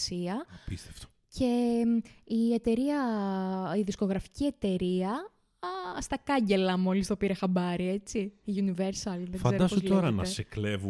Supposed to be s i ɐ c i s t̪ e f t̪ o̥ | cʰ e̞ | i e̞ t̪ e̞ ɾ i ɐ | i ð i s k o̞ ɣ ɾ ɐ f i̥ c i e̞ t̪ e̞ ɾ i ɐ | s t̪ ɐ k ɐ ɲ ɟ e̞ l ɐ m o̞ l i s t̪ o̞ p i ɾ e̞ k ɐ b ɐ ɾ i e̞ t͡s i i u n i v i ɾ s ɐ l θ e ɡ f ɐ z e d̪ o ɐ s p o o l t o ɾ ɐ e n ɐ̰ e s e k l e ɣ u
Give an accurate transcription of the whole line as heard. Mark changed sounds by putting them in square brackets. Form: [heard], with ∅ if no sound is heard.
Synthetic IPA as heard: s i ɐ [p] i s t̪ e f t̪ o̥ | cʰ e̞ | i e̞ t̪ e̞ ɾ i ɐ | i ð i s k o̞ ɣ ɾ ɐ f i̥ c i e̞ t̪ e̞ ɾ i ɐ | s t̪ ɐ k ɐ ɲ ɟ e̞ l ɐ m o̞ l i s t̪ o̞ p i ɾ e̞ [x] ɐ b ɐ ɾ i e̞ t͡s i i u n i v [e] ɾ s ɐ l [ð] e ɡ f ɐ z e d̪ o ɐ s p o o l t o ɾ ɐ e n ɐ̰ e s e k l e [v] u